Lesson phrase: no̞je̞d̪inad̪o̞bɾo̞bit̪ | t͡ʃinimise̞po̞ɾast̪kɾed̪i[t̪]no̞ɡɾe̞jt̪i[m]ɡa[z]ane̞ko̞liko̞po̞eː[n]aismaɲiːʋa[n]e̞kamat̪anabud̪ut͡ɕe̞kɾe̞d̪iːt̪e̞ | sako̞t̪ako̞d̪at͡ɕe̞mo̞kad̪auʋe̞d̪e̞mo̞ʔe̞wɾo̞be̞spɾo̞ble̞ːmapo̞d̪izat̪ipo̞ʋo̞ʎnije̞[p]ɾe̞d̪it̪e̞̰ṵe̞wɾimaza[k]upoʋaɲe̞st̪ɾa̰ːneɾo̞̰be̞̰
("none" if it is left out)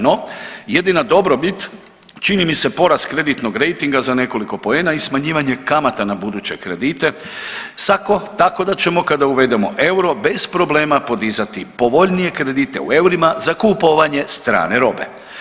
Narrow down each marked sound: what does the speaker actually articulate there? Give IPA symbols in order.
t̪, ŋ, z, n, ɲ, k, k

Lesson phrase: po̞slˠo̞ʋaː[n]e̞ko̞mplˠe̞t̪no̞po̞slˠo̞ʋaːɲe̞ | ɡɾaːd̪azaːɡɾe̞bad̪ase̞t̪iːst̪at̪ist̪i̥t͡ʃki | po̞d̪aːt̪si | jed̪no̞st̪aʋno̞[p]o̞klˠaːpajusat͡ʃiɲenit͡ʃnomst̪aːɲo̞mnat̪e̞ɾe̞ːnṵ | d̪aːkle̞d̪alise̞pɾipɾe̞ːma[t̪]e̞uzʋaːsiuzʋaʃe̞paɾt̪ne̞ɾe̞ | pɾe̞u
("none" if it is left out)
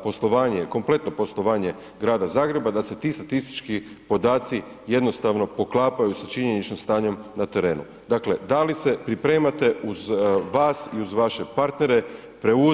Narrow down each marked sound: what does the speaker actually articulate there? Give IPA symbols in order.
ɲ, p, t̪

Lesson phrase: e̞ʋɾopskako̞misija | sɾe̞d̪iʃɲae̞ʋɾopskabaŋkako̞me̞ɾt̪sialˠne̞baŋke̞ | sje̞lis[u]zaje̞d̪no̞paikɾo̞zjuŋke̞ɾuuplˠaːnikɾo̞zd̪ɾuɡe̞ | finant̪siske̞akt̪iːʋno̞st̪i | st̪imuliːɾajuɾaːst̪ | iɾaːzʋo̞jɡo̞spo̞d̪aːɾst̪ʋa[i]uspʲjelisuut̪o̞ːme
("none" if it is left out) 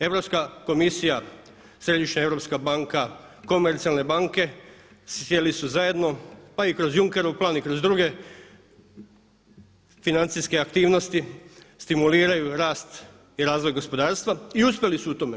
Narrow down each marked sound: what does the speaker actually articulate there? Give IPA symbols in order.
u, i

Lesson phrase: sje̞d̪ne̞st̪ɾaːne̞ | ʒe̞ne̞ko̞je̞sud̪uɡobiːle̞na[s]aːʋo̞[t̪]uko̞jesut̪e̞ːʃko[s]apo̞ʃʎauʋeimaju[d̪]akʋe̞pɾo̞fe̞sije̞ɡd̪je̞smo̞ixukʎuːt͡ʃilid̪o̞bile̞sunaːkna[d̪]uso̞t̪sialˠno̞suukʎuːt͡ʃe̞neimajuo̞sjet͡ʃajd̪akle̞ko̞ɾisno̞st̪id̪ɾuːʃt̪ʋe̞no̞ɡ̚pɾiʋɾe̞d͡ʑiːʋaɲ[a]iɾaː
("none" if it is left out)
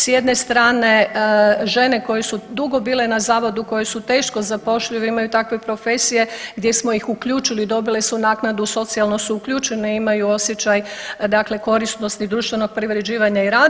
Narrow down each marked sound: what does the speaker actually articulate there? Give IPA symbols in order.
z, d̪, z, t̪, d̪, a

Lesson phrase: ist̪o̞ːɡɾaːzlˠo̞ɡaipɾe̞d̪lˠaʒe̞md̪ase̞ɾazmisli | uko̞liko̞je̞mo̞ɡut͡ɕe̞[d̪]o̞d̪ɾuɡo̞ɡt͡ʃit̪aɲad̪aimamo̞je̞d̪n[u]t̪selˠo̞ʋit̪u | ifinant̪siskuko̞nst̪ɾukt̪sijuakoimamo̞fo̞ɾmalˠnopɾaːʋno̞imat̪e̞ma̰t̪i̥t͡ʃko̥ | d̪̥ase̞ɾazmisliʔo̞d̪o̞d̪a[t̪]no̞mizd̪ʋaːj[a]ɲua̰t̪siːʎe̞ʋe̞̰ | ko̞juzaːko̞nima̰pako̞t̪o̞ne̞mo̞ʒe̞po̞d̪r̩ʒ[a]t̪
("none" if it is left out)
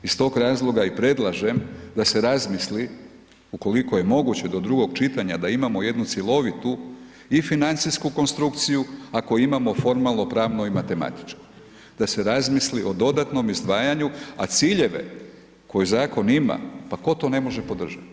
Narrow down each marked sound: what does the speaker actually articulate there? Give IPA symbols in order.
d̪, u, t̪, a, a

